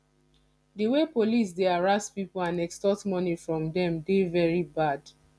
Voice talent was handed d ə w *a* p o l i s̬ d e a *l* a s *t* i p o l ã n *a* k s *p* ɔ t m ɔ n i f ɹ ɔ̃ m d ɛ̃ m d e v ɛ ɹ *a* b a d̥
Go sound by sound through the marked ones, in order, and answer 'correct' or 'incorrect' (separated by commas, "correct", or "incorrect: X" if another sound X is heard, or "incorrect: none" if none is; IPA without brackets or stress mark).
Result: incorrect: e, incorrect: ɹ, incorrect: p, incorrect: ɛ, incorrect: t, incorrect: i